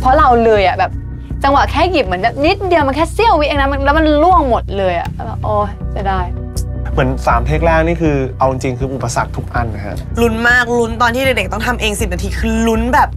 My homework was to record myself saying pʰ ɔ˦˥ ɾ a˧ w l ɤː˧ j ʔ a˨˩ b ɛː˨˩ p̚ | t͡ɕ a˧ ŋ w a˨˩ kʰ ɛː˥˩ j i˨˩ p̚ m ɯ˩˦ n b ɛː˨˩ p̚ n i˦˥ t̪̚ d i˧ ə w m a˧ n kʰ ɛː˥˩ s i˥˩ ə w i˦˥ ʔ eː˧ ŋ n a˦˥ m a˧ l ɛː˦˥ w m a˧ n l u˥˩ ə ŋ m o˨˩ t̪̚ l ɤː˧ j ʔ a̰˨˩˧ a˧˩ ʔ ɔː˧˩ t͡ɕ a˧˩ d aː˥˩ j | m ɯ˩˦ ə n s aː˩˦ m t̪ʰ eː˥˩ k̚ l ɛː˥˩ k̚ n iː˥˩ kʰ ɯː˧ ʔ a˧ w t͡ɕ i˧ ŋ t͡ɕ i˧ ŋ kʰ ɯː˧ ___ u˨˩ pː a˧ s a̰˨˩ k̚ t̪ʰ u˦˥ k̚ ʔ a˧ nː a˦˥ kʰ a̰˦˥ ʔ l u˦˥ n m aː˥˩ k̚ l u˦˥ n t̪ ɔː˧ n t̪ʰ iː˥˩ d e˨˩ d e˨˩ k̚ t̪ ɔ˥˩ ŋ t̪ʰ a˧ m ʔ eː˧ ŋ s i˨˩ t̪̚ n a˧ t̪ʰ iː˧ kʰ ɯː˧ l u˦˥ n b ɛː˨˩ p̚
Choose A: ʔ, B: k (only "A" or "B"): A